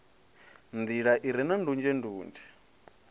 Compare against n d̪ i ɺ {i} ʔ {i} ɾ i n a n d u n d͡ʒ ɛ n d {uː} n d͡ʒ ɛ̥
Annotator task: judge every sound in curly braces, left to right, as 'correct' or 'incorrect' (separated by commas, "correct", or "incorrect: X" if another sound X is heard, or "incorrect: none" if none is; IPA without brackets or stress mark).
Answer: incorrect: a, correct, correct